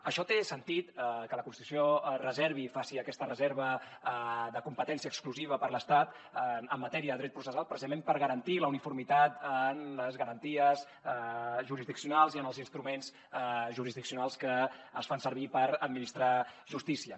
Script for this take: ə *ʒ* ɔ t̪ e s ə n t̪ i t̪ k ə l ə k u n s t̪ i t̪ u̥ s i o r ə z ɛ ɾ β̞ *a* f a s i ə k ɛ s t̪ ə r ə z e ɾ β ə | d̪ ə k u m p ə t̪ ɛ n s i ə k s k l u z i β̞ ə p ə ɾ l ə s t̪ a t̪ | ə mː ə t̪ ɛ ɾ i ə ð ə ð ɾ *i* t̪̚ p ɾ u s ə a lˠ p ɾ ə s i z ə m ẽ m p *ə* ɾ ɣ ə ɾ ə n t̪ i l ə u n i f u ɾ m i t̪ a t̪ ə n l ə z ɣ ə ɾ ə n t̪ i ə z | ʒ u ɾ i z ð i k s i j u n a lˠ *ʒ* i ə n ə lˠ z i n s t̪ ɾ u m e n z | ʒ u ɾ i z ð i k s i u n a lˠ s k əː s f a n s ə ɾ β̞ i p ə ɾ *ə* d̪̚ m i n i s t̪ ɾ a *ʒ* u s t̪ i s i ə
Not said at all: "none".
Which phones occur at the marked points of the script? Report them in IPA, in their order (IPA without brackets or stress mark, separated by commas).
ʃ, i, ɛ, ə, z, ə, ʒ